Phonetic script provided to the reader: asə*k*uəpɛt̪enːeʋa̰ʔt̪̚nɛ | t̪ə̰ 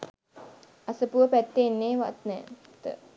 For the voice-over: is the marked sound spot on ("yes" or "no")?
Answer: no